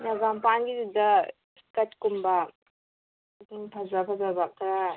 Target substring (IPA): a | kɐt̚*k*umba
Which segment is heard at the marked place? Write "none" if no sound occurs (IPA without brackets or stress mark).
k